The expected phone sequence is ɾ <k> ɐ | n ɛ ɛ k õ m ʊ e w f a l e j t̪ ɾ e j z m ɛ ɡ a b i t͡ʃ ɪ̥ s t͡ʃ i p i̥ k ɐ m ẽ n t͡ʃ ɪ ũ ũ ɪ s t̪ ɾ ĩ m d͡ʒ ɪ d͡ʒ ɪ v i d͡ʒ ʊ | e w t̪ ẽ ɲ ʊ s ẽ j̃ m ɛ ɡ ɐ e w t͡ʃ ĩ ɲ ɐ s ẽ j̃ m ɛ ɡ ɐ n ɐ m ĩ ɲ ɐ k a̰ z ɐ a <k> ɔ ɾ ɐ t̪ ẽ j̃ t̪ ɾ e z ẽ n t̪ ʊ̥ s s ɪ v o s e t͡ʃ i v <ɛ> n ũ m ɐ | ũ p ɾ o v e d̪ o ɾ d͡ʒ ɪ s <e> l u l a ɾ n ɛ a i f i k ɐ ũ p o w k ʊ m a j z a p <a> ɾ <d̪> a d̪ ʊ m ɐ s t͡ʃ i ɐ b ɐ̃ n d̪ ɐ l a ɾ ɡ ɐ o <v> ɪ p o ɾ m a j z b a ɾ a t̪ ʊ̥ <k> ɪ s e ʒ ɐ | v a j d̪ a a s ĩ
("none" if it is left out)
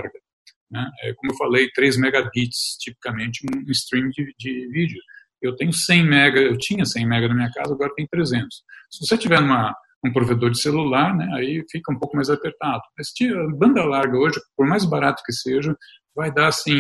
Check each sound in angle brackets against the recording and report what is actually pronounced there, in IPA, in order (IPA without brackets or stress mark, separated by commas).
ɡ, ɡ, ɛ, e, e, t̪, ʒ, k